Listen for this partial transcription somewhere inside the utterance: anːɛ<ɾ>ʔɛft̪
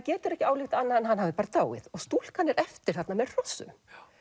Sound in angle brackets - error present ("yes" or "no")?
no